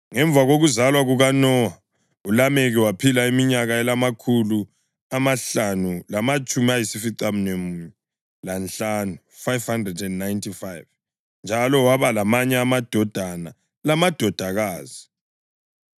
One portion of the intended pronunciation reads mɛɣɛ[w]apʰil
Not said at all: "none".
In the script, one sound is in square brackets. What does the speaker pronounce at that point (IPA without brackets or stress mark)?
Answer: w